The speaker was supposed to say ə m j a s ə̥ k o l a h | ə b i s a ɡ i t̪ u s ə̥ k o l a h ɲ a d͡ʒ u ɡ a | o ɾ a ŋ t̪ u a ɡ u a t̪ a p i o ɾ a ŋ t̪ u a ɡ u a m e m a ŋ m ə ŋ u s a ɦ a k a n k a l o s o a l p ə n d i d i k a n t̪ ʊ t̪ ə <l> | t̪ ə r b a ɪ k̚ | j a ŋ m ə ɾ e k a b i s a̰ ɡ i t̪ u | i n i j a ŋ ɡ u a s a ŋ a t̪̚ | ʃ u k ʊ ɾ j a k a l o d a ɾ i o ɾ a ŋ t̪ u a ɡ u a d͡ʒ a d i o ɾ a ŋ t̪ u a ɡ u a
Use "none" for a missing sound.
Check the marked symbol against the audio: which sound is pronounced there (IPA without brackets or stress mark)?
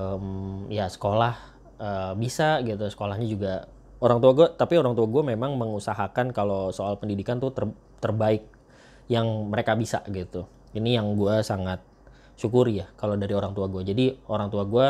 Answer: r